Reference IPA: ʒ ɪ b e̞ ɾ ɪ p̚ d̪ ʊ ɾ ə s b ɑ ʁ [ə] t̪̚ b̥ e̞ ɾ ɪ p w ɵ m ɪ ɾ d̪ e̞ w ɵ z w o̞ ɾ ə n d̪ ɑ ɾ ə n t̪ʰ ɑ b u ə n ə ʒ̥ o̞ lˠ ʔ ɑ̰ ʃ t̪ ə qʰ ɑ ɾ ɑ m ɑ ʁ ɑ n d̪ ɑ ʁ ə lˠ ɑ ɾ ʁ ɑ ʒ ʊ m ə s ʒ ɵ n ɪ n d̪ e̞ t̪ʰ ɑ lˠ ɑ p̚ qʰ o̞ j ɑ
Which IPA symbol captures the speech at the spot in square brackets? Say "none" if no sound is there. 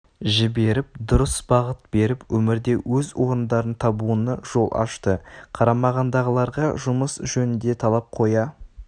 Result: ə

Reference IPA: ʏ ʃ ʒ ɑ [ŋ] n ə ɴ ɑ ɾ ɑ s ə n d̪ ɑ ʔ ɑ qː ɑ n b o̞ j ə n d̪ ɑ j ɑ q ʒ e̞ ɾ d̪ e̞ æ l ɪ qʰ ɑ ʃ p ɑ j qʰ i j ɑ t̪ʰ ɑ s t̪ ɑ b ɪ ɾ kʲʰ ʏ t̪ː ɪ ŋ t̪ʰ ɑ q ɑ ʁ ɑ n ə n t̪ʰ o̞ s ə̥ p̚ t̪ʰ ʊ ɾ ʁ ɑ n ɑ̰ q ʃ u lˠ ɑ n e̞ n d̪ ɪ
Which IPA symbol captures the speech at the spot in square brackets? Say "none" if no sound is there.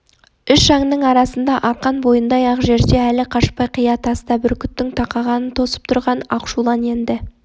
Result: ŋ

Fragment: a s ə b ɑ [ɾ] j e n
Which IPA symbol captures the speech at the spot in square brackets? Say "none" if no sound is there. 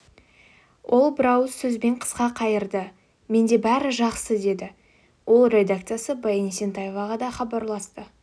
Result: none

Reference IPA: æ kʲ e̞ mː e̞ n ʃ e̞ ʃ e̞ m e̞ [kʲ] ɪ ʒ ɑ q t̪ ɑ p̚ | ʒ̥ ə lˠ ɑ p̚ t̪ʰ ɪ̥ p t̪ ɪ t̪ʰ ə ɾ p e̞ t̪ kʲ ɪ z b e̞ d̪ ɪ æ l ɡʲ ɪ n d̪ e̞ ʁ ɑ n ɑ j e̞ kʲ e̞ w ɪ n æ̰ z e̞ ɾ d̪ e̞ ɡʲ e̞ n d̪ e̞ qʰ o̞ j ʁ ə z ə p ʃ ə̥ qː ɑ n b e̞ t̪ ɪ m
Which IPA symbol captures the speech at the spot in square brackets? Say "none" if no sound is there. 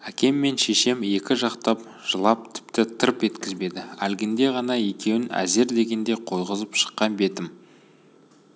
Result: kʲ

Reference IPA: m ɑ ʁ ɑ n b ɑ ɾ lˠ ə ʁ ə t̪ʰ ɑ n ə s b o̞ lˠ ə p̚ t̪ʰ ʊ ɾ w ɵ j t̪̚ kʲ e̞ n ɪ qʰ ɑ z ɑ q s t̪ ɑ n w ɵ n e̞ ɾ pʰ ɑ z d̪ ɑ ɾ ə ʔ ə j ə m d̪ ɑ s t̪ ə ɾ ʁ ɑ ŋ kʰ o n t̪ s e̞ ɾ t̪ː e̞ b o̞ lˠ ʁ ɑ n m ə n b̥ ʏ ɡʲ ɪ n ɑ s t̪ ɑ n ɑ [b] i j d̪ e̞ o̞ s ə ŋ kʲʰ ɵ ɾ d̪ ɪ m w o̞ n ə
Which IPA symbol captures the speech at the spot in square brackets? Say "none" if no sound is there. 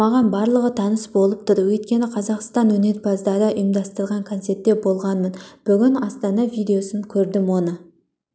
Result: v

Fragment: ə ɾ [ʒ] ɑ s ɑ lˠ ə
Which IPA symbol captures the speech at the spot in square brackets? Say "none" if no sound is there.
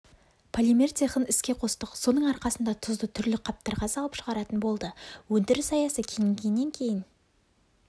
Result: ʁ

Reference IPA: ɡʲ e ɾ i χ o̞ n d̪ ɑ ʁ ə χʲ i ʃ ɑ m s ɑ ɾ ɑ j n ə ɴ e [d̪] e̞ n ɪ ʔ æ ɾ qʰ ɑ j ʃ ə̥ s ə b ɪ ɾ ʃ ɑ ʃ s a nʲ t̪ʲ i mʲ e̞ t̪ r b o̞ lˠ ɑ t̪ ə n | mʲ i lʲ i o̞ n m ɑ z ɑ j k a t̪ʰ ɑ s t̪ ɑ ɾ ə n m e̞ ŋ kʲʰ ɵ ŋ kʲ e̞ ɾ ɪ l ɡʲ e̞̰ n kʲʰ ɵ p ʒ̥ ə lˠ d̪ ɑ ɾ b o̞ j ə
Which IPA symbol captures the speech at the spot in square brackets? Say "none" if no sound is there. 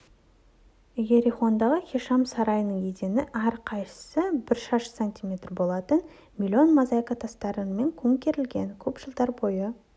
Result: d̪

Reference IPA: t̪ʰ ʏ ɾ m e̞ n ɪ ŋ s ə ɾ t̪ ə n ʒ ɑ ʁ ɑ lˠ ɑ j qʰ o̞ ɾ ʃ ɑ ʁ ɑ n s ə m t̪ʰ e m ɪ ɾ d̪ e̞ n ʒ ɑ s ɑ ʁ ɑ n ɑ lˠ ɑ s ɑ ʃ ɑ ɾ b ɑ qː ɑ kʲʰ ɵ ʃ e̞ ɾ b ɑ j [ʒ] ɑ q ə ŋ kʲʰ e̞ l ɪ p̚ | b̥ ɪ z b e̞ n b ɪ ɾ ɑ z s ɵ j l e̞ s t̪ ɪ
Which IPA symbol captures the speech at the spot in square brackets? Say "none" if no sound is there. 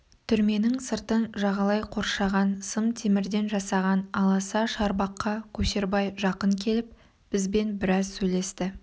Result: ʒ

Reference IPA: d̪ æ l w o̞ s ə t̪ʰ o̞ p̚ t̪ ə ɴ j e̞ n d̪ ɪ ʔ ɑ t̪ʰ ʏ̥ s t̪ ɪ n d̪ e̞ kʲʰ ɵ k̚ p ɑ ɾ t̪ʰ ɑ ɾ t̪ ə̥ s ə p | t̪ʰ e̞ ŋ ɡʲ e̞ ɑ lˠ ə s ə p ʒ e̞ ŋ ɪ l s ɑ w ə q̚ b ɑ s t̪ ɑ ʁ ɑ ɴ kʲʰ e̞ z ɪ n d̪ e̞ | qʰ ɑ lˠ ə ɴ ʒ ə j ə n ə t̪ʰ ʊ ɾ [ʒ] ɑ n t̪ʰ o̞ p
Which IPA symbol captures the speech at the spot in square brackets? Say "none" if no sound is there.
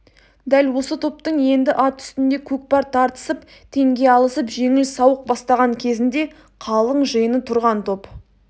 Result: ʁ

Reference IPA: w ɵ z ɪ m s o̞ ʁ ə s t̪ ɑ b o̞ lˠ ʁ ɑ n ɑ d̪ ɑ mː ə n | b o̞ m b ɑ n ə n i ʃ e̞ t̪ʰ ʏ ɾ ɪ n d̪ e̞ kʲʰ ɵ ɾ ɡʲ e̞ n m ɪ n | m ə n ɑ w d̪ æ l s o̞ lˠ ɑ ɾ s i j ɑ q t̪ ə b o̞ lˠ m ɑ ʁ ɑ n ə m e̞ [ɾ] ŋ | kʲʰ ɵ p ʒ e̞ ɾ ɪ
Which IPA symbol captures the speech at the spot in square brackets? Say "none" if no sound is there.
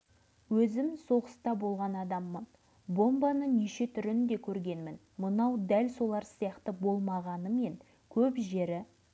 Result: none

